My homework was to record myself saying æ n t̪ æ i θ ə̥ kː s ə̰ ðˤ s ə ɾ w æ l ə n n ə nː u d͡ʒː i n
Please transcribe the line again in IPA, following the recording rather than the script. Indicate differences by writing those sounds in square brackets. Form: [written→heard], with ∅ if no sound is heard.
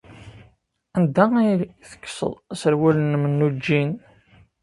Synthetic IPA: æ n [t̪→d̪] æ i θ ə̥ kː s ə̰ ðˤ s ə ɾ w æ l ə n [n→m] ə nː u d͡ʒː i n